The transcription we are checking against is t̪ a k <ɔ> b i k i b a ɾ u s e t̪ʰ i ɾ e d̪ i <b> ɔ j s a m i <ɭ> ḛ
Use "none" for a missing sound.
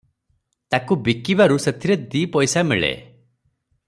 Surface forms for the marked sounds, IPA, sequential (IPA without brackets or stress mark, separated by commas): u, p, ɭ